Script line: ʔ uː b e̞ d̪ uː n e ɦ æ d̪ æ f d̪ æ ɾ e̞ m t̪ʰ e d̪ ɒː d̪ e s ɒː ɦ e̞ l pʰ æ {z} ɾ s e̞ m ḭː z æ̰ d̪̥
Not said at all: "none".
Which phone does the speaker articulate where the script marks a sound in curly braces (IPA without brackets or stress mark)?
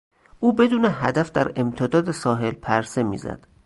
none